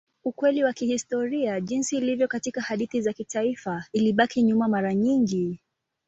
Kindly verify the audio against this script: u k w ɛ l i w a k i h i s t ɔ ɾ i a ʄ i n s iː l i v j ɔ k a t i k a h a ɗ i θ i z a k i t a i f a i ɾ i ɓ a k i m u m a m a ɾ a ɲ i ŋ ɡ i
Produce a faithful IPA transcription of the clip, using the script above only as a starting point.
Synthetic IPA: u k w ɛ l i w a k i h i s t ɔ ɾ i a ʄ i n s iː l i v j ɔ k a t i k a h a ɗ i θ i z a k i t a i f a i l i ɓ a k i ɲ u m a m a ɾ a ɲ i ŋ ɡ i